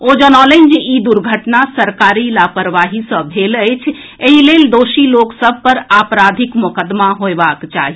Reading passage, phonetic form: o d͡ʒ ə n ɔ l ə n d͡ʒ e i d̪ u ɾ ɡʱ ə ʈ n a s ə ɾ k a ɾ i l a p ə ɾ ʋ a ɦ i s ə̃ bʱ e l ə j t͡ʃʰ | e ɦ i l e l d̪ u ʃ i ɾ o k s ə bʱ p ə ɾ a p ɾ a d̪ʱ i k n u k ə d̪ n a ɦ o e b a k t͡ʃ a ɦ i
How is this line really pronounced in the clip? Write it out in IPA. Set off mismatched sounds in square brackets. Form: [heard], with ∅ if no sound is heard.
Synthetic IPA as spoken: o d͡ʒ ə n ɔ l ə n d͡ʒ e i d̪ u ɾ ɡʱ ə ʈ n a s ə ɾ k a ɾ i l a p ə ɾ ʋ a ɦ i s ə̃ bʱ e l ə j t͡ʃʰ | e ɦ i l e l d̪ [o] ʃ i [l] o k s ə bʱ p ə ɾ a p ɾ a d̪ʱ i k [m] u k ə d̪ [m] a ɦ o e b a k t͡ʃ a ɦ i